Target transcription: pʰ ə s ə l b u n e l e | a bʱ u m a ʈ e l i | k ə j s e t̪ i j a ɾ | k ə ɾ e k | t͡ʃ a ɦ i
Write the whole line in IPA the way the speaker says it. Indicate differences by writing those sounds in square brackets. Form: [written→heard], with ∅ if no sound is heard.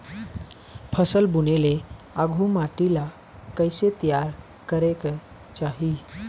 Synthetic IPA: pʰ ə s ə l b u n e l e | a [bʱ→ɡʱ] u m a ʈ [e→i] l [i→a] | k ə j s e t̪ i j a ɾ | k ə ɾ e k | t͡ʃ a ɦ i